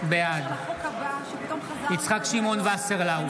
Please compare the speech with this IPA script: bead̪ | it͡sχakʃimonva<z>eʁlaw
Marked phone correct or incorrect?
incorrect